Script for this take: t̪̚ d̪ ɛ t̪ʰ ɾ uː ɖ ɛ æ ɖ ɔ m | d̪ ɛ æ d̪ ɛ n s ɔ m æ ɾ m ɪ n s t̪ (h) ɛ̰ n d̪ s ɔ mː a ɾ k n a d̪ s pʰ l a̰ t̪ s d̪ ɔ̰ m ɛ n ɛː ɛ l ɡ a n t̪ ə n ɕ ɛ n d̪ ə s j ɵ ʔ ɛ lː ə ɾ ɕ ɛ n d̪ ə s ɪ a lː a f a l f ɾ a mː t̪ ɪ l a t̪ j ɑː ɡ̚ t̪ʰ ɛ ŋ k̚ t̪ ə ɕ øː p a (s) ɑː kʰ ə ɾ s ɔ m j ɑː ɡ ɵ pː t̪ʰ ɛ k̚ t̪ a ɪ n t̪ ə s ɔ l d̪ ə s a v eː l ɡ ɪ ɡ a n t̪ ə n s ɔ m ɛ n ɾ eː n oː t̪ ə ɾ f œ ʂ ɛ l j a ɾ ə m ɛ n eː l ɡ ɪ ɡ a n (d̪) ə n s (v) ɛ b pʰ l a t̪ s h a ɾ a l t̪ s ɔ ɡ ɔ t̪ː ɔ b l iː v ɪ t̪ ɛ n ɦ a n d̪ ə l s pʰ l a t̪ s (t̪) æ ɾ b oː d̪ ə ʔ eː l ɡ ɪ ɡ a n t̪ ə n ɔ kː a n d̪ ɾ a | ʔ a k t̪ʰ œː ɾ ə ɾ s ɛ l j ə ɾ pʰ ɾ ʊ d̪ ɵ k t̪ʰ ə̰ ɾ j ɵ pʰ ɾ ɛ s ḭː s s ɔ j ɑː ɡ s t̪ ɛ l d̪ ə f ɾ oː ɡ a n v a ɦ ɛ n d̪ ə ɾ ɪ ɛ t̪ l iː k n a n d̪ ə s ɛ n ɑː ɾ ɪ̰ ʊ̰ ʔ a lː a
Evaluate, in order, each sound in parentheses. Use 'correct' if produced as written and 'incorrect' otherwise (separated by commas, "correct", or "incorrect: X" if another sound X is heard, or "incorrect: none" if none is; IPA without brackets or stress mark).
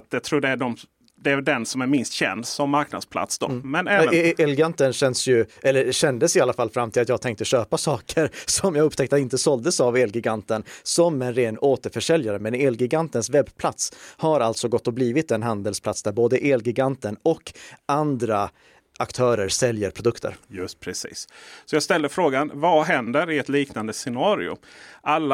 incorrect: ɕ, correct, incorrect: t̪, correct, incorrect: d̪